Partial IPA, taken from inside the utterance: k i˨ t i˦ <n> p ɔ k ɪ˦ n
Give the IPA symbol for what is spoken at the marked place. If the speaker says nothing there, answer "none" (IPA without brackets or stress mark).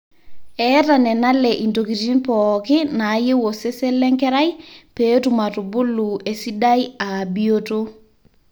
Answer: n